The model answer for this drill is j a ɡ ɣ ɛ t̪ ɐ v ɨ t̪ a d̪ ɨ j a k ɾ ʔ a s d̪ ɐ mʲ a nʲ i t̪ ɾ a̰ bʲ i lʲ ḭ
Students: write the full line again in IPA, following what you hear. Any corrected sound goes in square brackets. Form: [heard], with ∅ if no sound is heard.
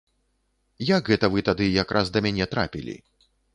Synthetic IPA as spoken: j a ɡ ɣ ɛ t̪ ɐ v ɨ t̪ a d̪ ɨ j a k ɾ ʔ a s d̪ ɐ mʲ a nʲ [ɛ] t̪ ɾ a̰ [pʲ] i lʲ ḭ